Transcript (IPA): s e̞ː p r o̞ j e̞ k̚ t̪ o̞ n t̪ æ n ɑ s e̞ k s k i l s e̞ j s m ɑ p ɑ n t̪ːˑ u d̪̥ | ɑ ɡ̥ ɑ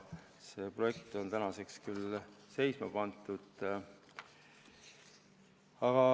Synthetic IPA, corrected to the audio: s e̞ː p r o̞ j e̞ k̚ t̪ o̞ n t̪ æ n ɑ s e̞ k s k y l s e̞ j s m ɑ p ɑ n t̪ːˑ u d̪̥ | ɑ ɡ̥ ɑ